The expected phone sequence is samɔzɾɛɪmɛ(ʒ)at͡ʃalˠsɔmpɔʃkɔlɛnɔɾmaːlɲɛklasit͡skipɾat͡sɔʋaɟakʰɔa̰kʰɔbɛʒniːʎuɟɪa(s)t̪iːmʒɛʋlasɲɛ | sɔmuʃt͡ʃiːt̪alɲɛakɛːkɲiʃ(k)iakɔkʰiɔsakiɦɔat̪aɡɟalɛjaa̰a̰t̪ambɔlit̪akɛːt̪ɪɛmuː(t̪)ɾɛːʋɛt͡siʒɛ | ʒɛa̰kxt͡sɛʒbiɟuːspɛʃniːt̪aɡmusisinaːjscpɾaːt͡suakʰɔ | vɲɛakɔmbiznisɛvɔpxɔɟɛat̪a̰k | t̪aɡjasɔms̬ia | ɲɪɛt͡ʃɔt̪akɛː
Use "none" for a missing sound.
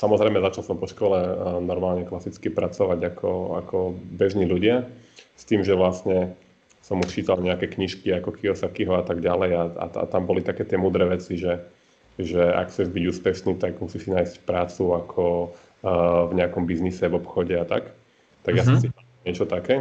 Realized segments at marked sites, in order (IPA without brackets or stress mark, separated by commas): z, s, k, d̪